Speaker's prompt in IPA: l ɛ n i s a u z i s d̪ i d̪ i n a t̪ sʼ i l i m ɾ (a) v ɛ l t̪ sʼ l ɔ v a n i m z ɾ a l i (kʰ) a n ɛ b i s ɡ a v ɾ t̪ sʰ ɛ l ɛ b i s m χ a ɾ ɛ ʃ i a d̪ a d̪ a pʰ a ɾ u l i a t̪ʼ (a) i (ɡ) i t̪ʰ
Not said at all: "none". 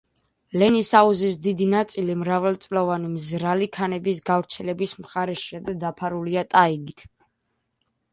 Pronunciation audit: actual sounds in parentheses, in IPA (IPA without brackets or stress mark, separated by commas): a, kʰ, a, ɡ